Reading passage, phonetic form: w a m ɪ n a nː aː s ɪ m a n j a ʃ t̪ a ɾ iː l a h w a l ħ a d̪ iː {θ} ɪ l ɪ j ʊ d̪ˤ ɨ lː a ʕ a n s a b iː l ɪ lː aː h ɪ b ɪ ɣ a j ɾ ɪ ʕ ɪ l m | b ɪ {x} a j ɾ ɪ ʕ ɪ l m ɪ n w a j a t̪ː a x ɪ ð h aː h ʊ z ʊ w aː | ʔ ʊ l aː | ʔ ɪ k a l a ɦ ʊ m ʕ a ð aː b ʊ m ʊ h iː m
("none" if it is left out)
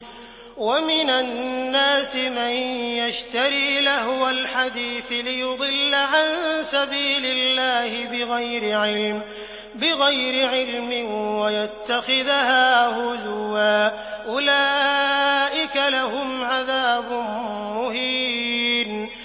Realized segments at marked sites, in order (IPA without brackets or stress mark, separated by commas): θ, ɣ